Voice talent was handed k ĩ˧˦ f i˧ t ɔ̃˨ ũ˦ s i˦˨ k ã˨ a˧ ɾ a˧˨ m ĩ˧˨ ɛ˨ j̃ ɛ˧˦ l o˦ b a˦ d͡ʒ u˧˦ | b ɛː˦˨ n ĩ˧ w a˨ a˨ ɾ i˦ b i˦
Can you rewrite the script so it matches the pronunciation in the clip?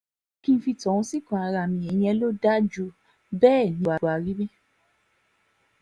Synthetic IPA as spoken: k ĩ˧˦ f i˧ t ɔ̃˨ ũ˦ s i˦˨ k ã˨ a˧ ɾ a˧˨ m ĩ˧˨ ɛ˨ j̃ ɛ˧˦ l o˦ d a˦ d͡ʒ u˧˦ | b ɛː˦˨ n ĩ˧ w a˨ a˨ ɾ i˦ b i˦